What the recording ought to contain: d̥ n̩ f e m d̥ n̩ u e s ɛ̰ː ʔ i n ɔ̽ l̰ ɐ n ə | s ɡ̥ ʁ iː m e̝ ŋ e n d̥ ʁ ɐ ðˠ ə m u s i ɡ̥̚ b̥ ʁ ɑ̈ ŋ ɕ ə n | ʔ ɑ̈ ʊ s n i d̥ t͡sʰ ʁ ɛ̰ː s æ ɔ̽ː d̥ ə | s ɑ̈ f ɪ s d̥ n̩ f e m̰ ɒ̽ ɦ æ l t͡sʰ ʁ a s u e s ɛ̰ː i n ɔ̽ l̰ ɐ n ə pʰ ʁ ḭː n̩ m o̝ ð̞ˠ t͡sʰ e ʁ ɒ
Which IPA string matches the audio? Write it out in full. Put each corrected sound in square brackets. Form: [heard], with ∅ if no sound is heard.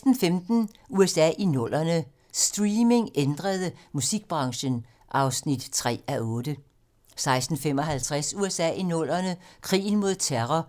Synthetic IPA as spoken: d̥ n̩ f e m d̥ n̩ u e s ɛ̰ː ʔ i n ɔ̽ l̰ ɐ n ə | s [d̥] ʁ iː m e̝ ŋ e n d̥ ʁ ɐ ðˠ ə m u s i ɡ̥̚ b̥ ʁ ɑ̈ ŋ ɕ ə n | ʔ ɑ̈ ʊ s n i d̥ t͡sʰ ʁ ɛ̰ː [∅] æ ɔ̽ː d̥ ə | s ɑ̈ [∅] ɪ s d̥ n̩ f e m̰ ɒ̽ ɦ æ l t͡sʰ ʁ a s u e s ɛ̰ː i n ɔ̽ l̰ ɐ n ə [kʰ] ʁ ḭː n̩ m o̝ ð̞ˠ t͡sʰ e ʁ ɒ